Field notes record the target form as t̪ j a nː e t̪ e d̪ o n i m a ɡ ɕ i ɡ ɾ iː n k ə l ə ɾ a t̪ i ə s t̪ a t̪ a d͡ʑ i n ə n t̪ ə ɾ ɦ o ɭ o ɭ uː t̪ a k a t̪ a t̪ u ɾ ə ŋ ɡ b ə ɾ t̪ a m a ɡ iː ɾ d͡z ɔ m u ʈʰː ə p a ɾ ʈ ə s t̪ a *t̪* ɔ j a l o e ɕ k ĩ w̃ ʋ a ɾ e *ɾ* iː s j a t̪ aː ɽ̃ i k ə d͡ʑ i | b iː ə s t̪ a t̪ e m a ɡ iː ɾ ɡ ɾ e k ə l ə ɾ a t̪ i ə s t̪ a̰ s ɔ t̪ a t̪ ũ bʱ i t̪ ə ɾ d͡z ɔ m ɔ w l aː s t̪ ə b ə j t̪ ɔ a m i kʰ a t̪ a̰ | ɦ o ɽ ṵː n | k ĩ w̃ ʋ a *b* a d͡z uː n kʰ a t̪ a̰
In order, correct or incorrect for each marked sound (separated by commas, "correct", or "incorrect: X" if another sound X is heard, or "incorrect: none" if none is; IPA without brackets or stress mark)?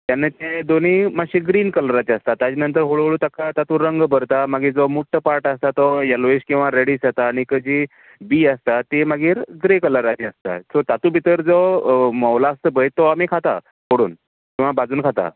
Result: correct, incorrect: ɽ, correct